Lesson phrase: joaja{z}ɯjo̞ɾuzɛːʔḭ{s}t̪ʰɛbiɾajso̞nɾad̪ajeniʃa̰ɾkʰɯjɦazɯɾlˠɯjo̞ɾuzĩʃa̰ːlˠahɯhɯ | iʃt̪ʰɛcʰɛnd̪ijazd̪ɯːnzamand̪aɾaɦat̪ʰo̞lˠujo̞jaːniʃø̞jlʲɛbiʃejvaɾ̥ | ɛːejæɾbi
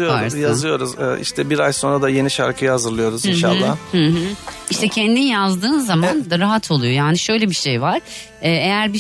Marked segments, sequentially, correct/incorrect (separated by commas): correct, incorrect